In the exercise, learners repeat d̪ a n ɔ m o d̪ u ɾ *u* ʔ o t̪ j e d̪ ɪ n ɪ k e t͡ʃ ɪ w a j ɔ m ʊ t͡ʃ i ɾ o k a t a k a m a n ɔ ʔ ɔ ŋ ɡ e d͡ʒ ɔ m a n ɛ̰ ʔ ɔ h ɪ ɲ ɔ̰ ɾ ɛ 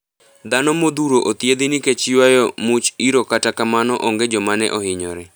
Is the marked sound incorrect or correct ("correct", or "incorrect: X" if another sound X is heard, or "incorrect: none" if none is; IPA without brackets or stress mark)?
incorrect: o